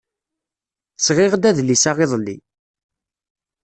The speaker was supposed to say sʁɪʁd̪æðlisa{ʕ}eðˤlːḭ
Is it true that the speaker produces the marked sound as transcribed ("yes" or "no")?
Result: no